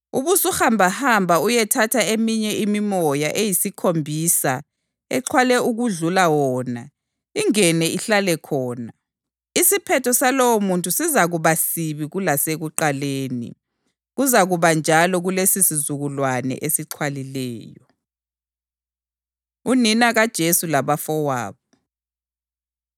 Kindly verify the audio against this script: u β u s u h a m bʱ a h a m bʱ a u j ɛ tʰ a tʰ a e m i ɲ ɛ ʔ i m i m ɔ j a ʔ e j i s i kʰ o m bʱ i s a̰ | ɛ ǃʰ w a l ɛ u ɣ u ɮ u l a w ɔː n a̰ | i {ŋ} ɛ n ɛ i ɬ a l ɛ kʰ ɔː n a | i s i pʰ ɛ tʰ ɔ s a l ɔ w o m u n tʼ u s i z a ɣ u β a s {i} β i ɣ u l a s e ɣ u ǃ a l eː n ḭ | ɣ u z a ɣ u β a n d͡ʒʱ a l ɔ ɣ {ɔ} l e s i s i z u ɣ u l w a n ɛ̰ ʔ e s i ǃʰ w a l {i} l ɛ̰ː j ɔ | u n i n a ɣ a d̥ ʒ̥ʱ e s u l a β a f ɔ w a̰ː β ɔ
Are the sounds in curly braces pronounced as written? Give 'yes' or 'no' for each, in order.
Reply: yes, yes, no, yes

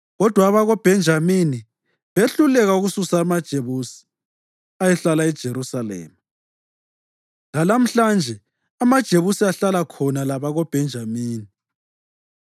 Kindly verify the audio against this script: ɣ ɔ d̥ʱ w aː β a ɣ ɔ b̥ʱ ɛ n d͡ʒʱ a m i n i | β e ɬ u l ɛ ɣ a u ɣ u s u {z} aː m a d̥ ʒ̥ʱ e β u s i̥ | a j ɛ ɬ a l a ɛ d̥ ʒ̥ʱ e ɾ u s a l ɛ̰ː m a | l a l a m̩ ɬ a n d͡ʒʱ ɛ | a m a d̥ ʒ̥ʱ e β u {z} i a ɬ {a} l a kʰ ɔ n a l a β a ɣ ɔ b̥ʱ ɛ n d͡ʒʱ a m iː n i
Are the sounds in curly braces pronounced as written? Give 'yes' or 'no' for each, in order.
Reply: no, no, yes

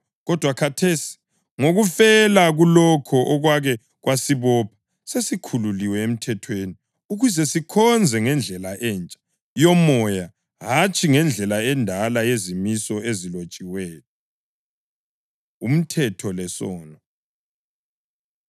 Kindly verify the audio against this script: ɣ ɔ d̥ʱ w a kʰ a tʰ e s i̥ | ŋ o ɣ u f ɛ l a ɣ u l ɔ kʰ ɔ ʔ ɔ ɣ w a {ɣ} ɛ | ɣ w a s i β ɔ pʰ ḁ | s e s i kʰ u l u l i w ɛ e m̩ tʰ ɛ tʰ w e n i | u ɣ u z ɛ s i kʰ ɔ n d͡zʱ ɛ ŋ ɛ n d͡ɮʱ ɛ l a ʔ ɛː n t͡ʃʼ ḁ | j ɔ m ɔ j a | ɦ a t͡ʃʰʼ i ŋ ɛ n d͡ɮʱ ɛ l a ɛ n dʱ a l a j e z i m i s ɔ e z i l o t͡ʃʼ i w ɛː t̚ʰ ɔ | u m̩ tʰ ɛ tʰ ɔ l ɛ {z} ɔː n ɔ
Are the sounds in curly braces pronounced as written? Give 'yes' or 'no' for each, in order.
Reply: yes, no

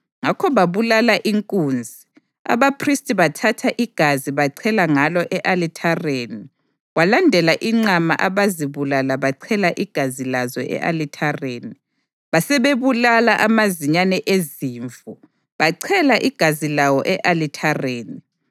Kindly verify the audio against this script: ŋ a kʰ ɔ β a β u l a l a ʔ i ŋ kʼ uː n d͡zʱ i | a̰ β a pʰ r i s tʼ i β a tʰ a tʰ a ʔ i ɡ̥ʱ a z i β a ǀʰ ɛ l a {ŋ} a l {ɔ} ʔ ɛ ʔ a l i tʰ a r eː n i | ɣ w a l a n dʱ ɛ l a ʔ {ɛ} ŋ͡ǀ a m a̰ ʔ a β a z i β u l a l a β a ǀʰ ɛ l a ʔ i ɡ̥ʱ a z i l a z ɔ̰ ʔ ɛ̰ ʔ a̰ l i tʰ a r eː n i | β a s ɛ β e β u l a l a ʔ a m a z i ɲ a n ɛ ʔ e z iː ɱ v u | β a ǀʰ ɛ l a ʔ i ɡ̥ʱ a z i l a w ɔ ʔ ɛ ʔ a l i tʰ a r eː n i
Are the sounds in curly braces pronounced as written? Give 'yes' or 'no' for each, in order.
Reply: yes, yes, no

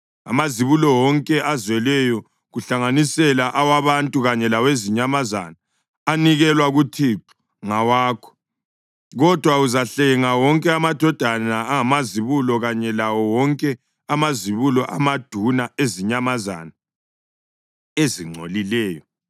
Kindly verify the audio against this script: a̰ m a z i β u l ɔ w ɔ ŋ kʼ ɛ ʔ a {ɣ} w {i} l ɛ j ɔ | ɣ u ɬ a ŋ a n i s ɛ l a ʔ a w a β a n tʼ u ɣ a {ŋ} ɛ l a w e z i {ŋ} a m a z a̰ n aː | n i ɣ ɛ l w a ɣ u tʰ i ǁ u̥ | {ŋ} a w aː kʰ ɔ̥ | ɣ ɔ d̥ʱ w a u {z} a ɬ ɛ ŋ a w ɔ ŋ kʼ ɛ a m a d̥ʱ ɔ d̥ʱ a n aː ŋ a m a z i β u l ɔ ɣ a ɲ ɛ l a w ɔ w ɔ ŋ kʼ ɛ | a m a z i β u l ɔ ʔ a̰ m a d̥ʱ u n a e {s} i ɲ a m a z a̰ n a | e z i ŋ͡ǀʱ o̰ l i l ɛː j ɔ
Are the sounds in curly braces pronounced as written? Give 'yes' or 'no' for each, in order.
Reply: no, no, no, no, yes, yes, no

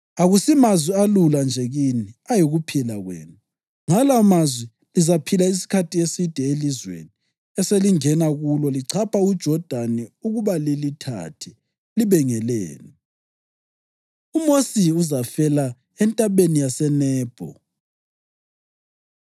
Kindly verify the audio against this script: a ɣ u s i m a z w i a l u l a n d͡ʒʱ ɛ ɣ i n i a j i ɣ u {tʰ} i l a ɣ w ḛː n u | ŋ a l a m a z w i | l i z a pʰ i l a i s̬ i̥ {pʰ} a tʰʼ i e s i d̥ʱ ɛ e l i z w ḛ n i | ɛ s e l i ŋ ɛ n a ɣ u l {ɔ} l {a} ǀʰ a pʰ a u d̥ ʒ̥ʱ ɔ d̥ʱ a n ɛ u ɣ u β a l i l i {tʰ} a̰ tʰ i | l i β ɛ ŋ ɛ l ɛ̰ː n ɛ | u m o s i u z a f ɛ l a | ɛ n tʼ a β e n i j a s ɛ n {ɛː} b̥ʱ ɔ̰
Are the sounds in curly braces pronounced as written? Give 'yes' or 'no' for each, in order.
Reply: no, no, yes, no, yes, yes

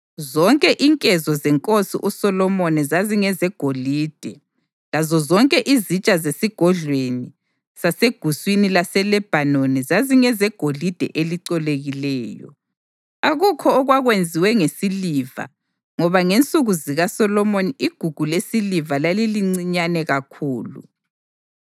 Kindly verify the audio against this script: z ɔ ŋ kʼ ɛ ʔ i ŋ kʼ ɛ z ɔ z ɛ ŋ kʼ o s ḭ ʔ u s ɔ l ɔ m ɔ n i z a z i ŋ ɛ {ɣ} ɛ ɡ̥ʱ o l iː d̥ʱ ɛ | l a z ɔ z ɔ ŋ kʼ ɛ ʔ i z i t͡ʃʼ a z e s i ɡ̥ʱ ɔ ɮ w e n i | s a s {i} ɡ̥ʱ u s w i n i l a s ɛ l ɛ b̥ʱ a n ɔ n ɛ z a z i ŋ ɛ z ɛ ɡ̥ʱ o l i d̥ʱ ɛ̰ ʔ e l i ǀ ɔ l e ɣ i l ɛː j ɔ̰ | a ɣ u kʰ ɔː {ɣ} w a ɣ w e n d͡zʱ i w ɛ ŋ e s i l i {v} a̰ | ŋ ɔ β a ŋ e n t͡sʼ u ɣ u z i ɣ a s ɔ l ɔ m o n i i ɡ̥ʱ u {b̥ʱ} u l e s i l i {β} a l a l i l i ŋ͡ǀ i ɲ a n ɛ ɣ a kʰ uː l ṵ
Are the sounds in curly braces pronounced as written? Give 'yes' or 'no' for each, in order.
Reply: no, no, yes, yes, no, no

